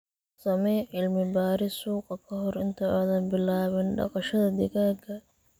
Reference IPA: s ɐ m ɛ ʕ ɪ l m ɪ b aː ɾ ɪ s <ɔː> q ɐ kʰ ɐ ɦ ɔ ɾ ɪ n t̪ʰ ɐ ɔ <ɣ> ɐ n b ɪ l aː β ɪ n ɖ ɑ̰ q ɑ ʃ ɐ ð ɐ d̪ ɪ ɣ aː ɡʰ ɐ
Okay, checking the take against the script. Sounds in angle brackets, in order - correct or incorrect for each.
incorrect: uː, incorrect: ð

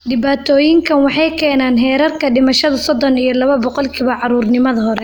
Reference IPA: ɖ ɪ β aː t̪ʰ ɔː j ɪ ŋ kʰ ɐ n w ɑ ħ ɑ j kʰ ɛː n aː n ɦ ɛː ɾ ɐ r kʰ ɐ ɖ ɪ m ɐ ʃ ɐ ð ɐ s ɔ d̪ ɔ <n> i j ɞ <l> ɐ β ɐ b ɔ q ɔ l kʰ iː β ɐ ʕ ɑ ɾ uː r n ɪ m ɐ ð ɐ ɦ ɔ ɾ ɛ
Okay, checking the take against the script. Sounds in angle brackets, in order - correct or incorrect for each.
correct, correct

